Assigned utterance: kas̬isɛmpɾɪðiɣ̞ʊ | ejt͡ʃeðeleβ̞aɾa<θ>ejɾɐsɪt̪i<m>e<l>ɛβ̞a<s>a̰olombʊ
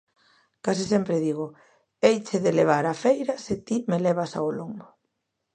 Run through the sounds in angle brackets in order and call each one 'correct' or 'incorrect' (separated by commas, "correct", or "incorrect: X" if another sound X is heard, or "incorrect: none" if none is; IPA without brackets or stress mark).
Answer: incorrect: f, correct, correct, correct